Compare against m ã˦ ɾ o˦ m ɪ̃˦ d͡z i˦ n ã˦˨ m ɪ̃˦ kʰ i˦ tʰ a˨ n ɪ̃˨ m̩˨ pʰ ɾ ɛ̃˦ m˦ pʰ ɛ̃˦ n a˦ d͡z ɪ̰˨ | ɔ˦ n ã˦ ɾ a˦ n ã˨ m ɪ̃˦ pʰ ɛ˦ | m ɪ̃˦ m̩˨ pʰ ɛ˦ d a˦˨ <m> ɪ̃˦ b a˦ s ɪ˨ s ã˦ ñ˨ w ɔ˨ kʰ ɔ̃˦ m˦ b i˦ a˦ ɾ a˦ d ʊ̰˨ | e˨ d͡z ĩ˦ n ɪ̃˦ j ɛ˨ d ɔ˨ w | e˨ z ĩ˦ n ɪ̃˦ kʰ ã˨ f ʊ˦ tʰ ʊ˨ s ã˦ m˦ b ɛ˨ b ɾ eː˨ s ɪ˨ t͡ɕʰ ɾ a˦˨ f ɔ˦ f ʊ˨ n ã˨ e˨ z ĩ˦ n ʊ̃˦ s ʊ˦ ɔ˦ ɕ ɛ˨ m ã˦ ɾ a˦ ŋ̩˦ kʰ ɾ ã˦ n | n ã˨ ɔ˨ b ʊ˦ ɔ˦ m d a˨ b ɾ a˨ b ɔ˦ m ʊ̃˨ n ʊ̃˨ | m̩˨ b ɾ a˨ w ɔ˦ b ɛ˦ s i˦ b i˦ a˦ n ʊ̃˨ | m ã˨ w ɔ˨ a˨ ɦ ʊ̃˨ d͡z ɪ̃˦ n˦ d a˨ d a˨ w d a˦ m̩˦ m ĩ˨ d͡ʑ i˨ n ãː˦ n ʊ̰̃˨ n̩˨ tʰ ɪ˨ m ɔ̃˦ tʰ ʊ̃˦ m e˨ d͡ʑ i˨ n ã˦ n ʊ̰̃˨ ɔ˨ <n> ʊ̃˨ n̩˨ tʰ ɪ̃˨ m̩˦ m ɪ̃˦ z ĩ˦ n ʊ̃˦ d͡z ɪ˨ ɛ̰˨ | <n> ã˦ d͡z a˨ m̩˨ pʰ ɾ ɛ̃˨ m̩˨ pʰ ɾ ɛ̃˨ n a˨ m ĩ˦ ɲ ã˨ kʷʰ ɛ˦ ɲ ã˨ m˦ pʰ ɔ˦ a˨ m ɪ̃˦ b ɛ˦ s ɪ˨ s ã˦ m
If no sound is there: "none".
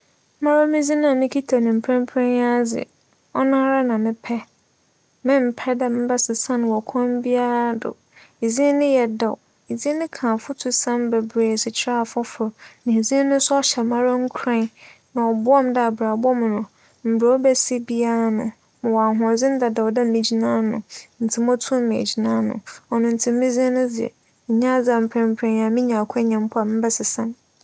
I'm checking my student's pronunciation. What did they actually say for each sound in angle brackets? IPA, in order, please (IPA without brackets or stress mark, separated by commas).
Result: m, n, ɲ